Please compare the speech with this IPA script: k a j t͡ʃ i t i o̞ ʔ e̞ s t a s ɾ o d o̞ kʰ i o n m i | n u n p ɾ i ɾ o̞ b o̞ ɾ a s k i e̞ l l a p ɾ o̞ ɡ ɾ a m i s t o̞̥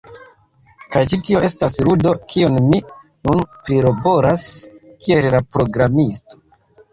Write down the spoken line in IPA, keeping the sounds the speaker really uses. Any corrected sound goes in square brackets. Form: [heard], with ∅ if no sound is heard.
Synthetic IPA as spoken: k a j t͡ʃ i t i o̞ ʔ e̞ s t a s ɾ [u] d o̞ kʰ i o n m i | n u n p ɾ i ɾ o̞ b o̞ ɾ a s k i e̞ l l a p ɾ o̞ ɡ ɾ a m i s t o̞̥